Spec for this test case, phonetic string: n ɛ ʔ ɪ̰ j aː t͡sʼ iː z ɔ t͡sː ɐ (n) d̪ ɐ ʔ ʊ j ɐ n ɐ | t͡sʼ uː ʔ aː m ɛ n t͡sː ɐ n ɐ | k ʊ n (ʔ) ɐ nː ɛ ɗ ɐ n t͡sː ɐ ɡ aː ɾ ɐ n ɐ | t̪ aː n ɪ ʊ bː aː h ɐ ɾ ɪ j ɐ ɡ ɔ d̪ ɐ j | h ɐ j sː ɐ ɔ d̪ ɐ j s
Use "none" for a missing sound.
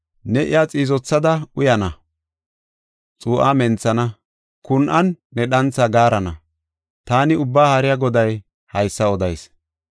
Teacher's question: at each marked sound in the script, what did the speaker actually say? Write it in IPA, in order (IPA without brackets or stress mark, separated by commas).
none, ʔ